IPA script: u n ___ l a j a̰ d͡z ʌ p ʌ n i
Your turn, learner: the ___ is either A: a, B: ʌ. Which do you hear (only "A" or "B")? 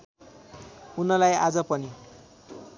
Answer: B